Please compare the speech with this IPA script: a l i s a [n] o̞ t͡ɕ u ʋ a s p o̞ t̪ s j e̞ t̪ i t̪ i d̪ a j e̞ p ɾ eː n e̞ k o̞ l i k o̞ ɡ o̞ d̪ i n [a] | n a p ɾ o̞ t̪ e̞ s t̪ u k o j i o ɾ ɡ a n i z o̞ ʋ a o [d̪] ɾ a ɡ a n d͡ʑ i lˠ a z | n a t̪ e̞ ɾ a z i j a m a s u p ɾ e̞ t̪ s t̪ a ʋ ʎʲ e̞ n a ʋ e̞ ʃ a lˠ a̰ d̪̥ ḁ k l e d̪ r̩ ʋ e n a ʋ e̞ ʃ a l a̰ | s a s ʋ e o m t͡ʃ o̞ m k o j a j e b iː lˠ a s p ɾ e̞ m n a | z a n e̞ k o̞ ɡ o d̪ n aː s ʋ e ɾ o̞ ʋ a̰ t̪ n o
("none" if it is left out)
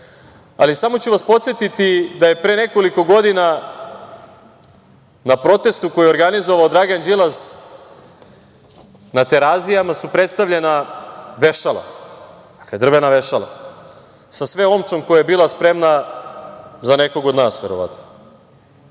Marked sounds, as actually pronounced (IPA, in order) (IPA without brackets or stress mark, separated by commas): m, a, d̪